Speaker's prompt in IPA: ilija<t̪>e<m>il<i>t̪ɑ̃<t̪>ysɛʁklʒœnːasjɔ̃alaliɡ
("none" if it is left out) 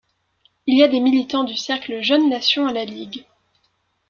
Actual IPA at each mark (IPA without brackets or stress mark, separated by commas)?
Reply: d̪, m, i, d̪